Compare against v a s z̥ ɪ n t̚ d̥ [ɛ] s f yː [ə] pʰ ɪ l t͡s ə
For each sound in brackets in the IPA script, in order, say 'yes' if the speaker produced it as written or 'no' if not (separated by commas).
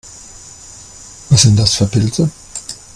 no, no